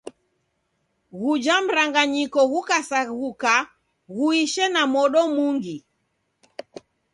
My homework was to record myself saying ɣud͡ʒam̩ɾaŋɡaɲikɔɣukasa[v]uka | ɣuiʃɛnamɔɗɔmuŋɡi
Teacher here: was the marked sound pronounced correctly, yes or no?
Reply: no